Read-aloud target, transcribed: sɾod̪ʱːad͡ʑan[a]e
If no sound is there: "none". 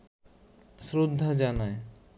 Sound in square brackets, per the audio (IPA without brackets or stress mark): a